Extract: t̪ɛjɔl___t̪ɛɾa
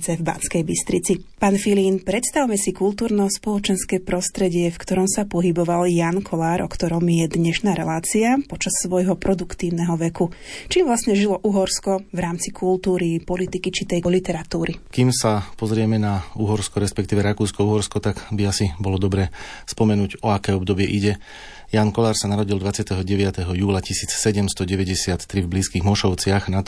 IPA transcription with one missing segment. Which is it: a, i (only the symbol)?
i